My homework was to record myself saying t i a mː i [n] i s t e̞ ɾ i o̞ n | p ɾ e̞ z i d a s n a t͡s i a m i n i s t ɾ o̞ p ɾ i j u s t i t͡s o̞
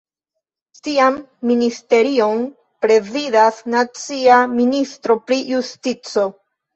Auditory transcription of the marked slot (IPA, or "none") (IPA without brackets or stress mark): n